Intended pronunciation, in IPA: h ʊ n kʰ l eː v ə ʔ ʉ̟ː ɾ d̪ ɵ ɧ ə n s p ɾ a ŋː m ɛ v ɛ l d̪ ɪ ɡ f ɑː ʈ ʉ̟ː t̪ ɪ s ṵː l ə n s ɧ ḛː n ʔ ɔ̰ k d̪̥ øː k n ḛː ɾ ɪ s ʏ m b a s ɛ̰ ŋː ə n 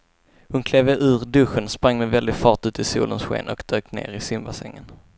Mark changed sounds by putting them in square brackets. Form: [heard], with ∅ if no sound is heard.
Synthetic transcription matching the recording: h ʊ n kʰ l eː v ə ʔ ʉ̟ː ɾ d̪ ɵ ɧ ə n s p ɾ a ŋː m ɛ v ɛ l d̪ ɪ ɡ f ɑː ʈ ʉ̟ː t̪ ɪ s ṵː l ə n s ɧ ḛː n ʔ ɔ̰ k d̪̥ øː k n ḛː ɾ ɪ s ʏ m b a s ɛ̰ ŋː ə n